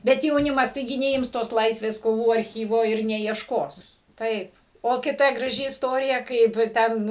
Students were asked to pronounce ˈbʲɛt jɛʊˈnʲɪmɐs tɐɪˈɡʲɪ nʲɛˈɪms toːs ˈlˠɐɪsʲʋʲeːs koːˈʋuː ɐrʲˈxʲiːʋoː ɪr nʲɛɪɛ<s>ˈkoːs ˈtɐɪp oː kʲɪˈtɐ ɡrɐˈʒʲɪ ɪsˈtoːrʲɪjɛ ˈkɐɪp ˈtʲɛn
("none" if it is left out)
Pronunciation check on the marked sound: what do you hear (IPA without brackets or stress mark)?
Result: ʃ